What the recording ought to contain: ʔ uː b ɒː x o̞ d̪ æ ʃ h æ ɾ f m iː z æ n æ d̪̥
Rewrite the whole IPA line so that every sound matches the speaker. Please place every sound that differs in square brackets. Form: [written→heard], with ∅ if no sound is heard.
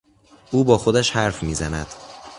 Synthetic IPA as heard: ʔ uː b ɒː x o̞ d̪ æ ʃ h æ ɾ f m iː z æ n æ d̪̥

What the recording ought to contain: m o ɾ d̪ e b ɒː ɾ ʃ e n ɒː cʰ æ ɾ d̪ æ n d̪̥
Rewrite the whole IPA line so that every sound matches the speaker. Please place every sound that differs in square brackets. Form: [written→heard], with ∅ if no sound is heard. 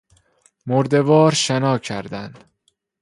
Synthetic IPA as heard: m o ɾ d̪ e [b→v] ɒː ɾ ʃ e n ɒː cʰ æ ɾ d̪ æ n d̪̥

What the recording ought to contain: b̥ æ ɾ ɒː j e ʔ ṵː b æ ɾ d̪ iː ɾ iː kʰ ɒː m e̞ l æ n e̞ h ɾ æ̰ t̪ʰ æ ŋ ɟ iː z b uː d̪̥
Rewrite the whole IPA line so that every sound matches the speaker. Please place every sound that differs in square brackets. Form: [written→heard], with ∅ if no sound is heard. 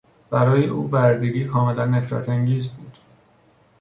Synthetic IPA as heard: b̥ æ ɾ ɒː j e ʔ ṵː b æ ɾ d̪ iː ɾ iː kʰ ɒː m e̞ l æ [n→nː] e̞ [h→f] ɾ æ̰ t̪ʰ æ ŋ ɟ iː z b uː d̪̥

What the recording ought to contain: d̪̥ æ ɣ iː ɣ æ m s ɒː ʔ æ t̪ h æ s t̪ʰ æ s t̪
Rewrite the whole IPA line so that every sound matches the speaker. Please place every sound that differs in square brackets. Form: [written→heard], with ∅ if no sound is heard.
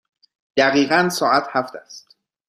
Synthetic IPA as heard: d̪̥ æ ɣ iː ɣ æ [m→n] s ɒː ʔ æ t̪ h æ [s→f] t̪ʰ æ s t̪

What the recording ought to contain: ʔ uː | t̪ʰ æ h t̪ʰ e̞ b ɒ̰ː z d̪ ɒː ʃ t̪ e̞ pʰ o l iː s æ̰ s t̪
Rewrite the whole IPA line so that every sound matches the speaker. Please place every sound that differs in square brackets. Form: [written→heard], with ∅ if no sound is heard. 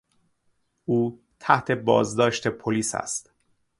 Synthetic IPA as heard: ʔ uː | t̪ʰ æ h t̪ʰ e̞ b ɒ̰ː z d̪ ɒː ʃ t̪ e̞ pʰ o l iː s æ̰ s t̪

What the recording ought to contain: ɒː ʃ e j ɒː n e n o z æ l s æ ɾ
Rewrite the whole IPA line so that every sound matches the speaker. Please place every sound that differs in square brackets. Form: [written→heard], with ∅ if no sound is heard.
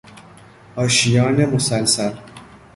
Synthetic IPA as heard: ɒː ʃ [e→i] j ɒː n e [n→m] o [z→s] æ l s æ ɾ

